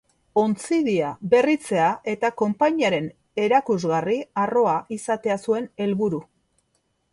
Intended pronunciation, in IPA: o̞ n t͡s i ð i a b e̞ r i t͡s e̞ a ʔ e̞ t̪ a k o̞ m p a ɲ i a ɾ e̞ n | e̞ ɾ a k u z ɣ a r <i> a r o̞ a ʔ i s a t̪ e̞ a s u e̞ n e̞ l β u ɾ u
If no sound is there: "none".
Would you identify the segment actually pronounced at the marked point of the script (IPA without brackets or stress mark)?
i